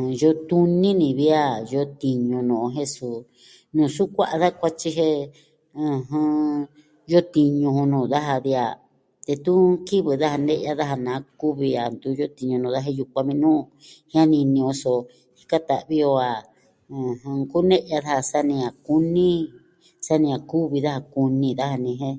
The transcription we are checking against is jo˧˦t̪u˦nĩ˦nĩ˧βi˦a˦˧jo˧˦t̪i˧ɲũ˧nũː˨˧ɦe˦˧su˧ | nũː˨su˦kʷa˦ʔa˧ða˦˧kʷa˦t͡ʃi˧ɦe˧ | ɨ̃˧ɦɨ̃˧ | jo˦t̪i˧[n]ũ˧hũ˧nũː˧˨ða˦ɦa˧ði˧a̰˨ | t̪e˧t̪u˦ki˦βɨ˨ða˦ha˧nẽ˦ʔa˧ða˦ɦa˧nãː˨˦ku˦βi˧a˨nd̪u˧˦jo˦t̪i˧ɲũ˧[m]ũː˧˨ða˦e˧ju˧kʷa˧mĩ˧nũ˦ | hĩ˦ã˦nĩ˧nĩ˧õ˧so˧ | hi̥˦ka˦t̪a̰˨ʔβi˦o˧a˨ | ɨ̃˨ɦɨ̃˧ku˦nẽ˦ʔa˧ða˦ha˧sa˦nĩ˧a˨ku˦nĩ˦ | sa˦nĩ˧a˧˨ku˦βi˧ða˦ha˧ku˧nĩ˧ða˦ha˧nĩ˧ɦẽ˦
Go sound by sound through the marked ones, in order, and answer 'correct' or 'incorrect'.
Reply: incorrect: ɲ, incorrect: n

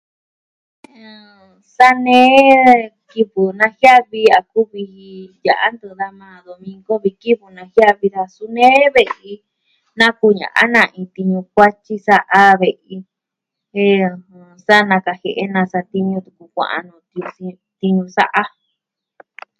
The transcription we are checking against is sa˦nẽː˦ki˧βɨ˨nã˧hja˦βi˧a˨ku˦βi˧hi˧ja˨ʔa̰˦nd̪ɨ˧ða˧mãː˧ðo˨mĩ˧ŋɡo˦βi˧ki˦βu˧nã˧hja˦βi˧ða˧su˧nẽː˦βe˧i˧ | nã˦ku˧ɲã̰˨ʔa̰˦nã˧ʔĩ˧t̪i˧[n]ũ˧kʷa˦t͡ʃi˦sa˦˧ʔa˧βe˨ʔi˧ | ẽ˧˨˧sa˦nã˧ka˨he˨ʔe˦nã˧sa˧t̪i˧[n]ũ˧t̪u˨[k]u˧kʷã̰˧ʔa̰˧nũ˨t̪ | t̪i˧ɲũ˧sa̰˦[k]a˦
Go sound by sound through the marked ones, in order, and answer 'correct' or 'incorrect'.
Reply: incorrect: ɲ, incorrect: ɲ, correct, incorrect: ʔ

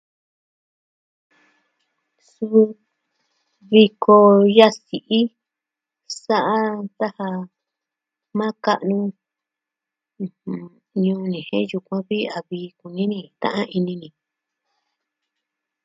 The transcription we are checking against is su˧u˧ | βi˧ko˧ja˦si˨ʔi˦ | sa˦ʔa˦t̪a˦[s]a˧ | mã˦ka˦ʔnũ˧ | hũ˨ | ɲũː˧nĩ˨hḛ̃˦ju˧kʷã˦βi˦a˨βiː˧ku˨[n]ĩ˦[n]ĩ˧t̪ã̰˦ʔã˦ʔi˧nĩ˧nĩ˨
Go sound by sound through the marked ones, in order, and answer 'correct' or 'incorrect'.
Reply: incorrect: h, correct, correct

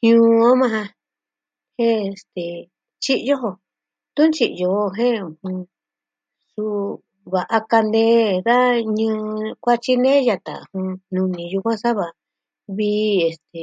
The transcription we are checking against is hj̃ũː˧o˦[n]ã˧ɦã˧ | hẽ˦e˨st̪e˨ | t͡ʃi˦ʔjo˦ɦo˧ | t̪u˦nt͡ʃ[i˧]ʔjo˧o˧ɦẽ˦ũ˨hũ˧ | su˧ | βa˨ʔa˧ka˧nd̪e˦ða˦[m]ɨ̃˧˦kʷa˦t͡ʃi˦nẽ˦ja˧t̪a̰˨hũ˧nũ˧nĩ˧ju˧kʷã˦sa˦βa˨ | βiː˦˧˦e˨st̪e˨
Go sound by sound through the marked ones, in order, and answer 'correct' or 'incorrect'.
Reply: incorrect: m, correct, incorrect: ɲ

